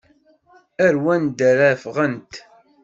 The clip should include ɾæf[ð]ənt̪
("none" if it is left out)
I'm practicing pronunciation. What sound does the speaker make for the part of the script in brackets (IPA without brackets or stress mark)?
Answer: ʁ